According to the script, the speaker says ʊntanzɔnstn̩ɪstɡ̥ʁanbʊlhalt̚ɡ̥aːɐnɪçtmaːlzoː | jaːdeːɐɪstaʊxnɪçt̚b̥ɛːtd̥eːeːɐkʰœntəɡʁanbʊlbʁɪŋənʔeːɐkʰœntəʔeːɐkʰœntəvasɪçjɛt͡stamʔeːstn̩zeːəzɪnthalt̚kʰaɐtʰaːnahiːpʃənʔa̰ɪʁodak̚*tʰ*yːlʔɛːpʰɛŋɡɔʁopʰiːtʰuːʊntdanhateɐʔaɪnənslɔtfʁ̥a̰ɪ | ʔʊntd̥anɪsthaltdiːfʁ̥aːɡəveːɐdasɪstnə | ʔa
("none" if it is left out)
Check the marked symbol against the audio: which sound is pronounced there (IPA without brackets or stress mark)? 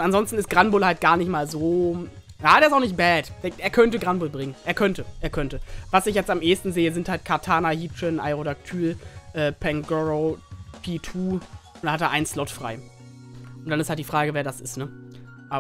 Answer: tʰ